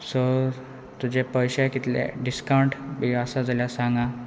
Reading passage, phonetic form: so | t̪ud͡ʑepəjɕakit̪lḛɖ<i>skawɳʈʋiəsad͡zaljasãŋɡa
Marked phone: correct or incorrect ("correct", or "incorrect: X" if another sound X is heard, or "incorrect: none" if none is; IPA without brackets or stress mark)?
correct